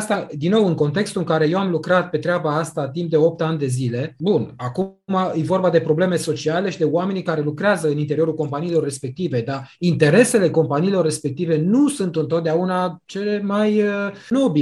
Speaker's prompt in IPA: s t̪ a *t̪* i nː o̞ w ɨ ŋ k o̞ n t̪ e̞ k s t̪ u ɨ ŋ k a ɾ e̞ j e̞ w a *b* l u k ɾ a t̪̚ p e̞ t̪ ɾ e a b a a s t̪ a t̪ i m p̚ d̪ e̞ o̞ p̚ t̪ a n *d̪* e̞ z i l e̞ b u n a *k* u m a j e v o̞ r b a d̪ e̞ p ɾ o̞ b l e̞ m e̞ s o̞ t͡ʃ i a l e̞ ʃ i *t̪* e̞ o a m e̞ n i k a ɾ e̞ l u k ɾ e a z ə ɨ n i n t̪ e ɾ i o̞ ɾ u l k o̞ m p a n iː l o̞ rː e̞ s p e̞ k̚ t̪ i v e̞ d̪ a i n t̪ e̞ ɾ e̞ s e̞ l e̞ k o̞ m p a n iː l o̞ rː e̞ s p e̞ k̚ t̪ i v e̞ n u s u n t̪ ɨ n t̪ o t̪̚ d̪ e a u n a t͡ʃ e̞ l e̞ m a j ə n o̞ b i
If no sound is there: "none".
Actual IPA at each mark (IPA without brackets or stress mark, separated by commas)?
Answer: d̪, m, d̪, k, d̪